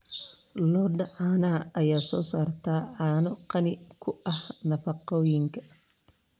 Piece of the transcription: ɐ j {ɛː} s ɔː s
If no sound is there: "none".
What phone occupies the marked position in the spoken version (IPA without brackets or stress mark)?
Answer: aː